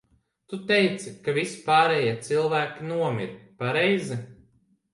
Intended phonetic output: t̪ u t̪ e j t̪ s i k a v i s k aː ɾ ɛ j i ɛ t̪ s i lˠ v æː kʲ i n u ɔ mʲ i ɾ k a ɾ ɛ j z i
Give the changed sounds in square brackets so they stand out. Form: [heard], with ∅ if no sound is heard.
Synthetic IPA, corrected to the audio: t̪ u t̪ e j t̪ s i k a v i s [p] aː ɾ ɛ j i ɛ t̪ s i lˠ v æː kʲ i n u ɔ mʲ i ɾ [p] a ɾ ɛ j z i